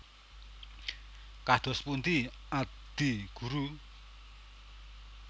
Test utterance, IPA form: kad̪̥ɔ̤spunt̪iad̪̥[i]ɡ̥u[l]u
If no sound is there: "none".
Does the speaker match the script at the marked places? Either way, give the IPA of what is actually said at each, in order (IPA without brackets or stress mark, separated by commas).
i, ɾ